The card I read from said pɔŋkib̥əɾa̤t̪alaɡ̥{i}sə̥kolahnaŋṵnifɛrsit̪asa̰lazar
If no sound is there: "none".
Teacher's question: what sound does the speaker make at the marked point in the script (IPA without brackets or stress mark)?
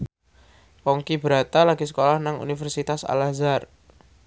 i